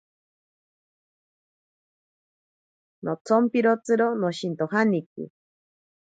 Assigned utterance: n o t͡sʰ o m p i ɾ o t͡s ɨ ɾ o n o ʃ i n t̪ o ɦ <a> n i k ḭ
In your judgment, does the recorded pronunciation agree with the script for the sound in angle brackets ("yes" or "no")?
yes